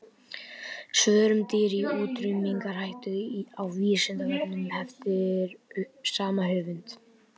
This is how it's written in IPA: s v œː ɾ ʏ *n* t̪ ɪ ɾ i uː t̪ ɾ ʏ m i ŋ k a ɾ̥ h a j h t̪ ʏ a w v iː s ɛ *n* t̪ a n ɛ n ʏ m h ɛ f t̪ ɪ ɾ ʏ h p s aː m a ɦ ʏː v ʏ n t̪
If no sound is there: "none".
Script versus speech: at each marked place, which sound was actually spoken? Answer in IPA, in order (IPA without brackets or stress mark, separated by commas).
m, n